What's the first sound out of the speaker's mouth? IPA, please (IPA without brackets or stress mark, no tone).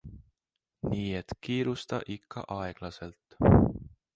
n